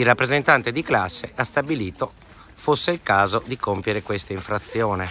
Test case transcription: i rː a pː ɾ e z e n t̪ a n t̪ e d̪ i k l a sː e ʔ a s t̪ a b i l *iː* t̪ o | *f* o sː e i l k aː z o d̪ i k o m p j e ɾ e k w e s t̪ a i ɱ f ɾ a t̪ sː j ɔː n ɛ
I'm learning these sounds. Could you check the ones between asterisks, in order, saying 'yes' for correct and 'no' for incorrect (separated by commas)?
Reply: yes, yes